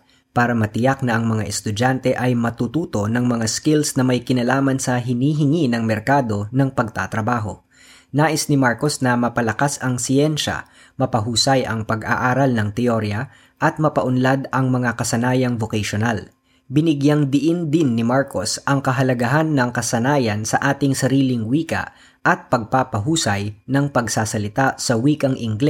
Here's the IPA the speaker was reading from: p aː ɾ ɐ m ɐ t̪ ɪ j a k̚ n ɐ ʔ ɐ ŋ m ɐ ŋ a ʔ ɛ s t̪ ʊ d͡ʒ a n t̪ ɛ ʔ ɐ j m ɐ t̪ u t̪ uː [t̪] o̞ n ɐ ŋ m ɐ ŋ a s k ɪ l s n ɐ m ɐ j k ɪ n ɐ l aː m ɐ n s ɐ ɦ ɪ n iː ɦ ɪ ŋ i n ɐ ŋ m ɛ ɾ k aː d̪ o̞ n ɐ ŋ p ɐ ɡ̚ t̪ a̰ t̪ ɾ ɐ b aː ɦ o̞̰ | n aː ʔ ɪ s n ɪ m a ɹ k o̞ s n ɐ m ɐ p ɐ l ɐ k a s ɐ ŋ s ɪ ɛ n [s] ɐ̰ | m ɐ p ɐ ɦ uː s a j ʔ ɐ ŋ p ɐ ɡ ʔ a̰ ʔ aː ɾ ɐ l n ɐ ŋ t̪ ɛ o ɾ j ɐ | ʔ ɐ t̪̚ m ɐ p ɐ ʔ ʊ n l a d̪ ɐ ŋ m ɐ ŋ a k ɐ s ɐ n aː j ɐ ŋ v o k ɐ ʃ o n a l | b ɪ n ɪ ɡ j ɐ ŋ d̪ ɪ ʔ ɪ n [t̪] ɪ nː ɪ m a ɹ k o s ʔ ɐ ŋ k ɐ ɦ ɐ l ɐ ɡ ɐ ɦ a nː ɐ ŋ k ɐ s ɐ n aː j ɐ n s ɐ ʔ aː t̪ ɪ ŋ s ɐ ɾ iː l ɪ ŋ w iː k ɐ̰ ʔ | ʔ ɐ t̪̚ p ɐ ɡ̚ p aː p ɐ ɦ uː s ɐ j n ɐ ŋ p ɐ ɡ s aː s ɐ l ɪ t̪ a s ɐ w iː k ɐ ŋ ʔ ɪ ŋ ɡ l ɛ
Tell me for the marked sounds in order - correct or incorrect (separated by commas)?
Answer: correct, incorrect, incorrect